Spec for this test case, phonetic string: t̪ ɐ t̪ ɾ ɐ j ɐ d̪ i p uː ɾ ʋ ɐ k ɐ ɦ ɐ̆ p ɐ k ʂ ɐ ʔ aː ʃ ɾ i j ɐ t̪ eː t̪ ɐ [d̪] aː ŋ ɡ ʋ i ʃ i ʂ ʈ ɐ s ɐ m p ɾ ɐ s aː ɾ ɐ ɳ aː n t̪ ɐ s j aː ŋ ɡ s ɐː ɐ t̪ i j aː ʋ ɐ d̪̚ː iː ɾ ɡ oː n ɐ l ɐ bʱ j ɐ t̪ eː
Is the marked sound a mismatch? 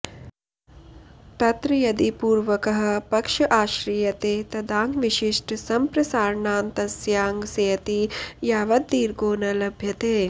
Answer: no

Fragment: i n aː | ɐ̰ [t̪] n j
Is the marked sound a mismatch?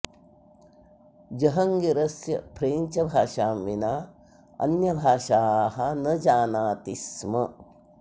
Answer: yes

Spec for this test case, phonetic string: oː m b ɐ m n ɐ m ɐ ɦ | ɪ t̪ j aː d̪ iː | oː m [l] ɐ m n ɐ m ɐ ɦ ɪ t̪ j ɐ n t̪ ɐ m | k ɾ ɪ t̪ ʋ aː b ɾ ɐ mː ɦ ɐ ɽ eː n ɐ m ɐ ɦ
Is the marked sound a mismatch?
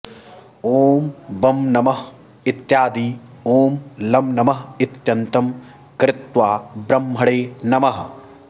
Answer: no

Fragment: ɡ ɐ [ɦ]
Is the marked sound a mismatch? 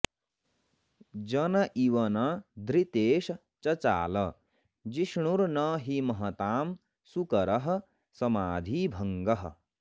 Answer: no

